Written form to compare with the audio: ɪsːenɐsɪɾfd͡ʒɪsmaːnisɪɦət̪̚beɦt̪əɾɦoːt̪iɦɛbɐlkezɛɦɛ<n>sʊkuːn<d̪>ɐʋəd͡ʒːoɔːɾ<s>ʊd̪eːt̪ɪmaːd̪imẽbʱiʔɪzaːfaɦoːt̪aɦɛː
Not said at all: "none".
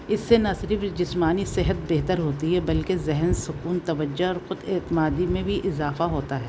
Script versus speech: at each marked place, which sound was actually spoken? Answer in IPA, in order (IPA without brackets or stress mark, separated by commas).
n, t̪, x